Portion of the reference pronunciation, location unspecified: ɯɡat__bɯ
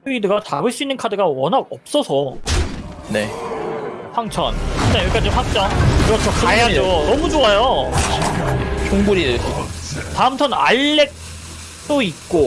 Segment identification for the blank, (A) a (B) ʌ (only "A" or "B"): A